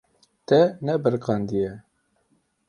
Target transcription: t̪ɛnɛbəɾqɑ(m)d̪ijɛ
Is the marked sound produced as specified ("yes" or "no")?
no